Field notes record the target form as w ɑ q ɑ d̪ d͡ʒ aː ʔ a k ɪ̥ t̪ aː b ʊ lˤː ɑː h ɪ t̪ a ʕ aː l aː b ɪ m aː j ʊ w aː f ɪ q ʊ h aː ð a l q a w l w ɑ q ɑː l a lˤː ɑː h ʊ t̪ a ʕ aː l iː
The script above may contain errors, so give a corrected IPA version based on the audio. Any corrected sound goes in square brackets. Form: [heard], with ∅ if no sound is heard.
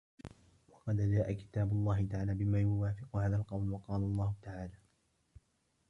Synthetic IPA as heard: w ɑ q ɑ d̪ d͡ʒ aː ʔ a k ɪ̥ t̪ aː b ʊ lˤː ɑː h ɪ t̪ a ʕ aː l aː b ɪ m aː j ʊ w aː f ɪ q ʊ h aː ð a l q [ɑ] w l w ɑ q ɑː l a lˤː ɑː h ʊ t̪ a ʕ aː l [aː]